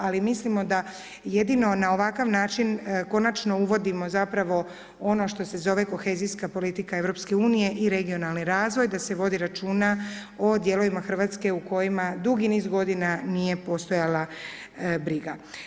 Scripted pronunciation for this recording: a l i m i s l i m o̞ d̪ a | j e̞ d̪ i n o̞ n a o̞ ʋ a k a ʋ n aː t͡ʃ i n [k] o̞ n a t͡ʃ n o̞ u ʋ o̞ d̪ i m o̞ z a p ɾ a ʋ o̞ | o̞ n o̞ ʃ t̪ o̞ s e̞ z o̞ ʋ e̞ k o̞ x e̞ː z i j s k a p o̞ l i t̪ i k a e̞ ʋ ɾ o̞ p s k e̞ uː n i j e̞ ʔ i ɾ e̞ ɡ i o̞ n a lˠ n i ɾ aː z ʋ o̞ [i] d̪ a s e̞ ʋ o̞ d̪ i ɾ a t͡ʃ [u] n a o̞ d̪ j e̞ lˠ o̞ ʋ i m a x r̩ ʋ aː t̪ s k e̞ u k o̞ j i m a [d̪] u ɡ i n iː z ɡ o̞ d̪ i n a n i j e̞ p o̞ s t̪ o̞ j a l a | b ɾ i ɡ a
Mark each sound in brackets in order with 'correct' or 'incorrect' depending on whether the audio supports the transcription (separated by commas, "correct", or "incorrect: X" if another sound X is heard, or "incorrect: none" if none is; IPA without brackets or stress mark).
correct, incorrect: j, incorrect: uː, correct